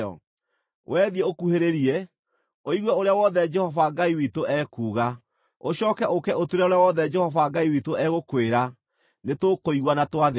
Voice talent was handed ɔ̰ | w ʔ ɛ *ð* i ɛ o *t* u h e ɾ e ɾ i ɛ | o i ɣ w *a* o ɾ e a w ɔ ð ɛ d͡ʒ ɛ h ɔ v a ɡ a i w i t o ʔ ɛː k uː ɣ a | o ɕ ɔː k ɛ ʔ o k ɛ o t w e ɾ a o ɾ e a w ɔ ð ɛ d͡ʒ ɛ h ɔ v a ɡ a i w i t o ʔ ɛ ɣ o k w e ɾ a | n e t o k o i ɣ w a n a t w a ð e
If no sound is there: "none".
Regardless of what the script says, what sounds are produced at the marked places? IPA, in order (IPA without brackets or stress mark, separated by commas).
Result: ð, k, ɛ